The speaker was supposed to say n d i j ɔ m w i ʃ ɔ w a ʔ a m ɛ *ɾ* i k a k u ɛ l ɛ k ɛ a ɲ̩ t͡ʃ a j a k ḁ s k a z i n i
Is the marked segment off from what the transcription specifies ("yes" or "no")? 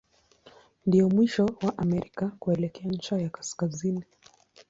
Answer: no